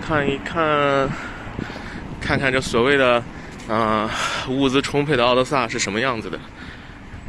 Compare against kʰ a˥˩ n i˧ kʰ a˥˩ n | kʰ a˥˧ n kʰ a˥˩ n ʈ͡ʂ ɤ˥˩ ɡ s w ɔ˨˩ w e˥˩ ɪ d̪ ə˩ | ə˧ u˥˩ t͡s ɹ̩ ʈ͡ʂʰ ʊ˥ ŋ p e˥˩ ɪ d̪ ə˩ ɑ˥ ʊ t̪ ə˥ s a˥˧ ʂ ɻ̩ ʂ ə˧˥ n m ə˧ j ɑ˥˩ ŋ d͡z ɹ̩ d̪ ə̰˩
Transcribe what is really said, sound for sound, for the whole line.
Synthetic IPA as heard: kʰ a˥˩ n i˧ kʰ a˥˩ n | kʰ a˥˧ n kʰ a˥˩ n ʈ͡ʂ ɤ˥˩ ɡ s w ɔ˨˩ w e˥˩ ɪ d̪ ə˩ | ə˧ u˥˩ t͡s ɹ̩ ʈ͡ʂʰ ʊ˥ ŋ pʰ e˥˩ ɪ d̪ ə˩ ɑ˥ ʊ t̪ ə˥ s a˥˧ ʂ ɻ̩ ʂ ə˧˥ n m ə˧ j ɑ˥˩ ŋ d͡z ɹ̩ d̪ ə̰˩

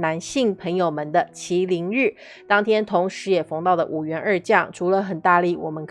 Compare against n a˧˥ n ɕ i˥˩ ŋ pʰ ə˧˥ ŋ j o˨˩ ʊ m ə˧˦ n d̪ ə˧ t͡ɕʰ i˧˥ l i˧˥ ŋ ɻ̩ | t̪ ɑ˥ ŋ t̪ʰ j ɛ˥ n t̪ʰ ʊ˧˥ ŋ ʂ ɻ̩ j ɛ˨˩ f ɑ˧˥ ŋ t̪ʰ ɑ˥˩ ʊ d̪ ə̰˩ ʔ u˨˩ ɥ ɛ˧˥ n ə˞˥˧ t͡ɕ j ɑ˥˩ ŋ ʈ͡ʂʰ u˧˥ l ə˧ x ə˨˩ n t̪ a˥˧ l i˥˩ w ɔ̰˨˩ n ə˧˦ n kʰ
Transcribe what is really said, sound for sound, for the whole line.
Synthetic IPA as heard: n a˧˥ n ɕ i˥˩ ŋ pʰ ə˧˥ ŋ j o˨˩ ʊ m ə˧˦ n d̪ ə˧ t͡ɕʰ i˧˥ l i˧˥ ŋ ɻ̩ | t̪ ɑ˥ ŋ t̪ʰ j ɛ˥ n t̪ʰ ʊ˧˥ ŋ ʂ ɻ̩ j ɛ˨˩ f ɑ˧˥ ŋ t̪ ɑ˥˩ ʊ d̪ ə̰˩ ʔ u˨˩ ɥ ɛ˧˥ n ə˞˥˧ t͡ɕ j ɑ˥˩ ŋ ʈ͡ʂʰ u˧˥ l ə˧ x ə˨˩ n t̪ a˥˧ l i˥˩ w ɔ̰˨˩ m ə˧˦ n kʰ

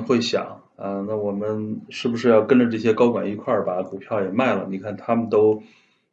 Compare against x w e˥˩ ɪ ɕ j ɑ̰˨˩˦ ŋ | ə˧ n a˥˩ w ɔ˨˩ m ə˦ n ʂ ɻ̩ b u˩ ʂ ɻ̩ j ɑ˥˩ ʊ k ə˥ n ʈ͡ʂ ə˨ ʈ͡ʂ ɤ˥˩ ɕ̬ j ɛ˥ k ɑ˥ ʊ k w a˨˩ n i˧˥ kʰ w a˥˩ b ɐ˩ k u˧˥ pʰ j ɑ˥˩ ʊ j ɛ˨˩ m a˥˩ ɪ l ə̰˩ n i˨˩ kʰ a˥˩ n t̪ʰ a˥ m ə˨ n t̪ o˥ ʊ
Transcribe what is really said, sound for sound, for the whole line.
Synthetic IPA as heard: x w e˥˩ ɪ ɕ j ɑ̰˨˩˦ ŋ | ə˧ n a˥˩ w ɔ˨˩ m ə˦ n ʂ ɻ̩ b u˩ ʂ ɻ̩ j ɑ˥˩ ʊ k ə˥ n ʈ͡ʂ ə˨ ʈ͡ʂ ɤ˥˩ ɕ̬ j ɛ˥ k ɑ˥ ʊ k w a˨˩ n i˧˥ kʰ w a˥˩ b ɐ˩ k u˨˩ pʰ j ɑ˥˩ ʊ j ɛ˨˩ m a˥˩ ɪ l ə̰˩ n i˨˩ kʰ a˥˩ n t̪ʰ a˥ m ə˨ n t̪ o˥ ʊ

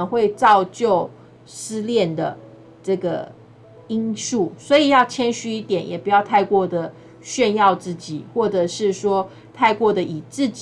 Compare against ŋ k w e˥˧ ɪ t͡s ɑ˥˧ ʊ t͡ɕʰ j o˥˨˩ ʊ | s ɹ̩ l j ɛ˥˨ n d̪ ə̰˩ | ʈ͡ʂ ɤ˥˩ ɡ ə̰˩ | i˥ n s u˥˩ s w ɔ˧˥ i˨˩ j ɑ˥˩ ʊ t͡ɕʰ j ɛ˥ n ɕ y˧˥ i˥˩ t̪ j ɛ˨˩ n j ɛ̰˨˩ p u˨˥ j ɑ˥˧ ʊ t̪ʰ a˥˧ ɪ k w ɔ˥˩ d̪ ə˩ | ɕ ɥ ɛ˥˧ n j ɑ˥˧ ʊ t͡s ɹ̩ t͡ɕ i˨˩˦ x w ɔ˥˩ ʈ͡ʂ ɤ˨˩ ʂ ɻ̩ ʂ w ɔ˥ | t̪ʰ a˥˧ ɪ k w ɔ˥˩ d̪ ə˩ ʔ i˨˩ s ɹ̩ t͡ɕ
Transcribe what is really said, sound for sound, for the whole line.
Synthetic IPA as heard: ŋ x w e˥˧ ɪ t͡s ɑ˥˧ ʊ t͡ɕ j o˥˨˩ ʊ | s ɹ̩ l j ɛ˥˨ n d̪ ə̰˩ | ʈ͡ʂ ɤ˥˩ ɡ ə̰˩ | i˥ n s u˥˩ s w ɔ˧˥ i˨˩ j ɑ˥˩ ʊ t͡ɕʰ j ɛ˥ n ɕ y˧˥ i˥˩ t̪ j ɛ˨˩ n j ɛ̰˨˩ p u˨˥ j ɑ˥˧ ʊ t̪ʰ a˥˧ ɪ k w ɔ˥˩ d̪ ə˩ | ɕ ɥ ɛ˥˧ n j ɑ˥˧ ʊ t͡s ɹ̩ t͡ɕ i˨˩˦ x w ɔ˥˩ ʈ͡ʂ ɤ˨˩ ʂ ɻ̩ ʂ w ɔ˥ | t̪ʰ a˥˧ ɪ k w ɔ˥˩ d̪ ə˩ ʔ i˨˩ t͡s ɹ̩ t͡ɕ

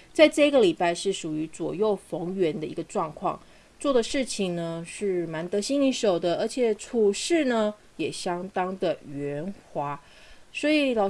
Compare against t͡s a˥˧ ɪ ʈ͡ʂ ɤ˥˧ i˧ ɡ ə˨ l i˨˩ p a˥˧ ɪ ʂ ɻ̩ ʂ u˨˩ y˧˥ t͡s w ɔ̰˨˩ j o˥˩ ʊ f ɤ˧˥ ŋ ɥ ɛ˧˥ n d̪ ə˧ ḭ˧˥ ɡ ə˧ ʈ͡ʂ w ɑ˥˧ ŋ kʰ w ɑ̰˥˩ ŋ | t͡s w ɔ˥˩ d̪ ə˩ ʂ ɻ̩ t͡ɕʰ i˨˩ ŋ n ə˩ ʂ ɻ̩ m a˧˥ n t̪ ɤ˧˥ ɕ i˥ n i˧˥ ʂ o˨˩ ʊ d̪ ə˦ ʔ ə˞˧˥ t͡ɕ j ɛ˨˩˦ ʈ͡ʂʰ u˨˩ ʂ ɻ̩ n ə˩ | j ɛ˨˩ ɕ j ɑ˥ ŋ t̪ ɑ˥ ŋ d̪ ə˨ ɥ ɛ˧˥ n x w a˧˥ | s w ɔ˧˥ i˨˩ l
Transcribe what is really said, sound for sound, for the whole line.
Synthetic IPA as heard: t͡s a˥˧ ɪ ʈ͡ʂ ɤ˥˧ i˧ ɡ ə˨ l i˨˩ p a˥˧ ɪ ʂ ɻ̩ ʂ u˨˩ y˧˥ t͡s w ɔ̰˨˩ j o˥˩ ʊ f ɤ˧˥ ŋ ɥ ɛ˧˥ n d̪ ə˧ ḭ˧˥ ɡ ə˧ ʈ͡ʂ w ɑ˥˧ ŋ kʰ w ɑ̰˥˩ ŋ | t͡s w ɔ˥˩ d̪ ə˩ ʂ ɻ̩ t͡ɕʰ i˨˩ ŋ n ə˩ ʂ ɻ̩ m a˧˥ n t̪ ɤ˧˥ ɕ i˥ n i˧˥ ʂ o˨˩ ʊ d̪ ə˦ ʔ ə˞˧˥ t͡ɕʰ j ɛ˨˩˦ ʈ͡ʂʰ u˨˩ ʂ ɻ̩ n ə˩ | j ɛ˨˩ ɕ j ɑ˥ ŋ t̪ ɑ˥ ŋ d̪ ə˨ ɥ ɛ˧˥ n x w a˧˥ | s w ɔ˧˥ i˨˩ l

